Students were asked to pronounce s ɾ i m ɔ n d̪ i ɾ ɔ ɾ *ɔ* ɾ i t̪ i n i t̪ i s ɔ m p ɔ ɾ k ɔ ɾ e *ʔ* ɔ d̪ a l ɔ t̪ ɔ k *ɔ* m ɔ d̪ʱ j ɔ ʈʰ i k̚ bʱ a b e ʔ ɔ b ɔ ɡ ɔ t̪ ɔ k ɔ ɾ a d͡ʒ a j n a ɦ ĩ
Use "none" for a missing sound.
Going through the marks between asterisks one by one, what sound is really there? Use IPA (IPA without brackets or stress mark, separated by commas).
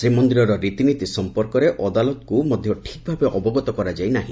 ɔ, ʔ, u